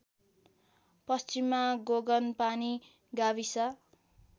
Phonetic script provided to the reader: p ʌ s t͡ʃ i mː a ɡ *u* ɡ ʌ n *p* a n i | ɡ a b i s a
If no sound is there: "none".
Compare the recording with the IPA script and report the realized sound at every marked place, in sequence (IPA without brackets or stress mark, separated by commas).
o, p